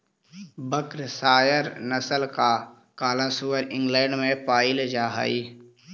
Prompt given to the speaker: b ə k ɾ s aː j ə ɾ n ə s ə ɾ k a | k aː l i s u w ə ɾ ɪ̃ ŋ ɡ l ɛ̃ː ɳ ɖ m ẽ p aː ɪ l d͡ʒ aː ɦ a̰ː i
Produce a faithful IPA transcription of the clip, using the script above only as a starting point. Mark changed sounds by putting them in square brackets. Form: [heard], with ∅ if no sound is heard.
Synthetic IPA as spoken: b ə k ɾ s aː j ə ɾ n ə s ə [l] k a | k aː l [a] s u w ə ɾ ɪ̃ ŋ ɡ l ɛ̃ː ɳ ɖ m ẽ p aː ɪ l d͡ʒ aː ɦ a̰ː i